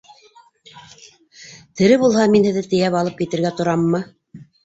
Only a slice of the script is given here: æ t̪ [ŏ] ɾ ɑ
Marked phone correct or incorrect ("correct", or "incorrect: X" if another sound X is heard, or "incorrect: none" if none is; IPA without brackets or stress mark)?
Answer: correct